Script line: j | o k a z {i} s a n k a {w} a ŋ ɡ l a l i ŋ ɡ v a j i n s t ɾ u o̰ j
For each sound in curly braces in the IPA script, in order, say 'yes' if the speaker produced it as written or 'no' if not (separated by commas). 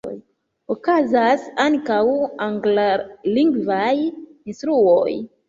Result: no, yes